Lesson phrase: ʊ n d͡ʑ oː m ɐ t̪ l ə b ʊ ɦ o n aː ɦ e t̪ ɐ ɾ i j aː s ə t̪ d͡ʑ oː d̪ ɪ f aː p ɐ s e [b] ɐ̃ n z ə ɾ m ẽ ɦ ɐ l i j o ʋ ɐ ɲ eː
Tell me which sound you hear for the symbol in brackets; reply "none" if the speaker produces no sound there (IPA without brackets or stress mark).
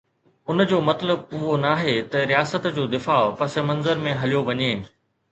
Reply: m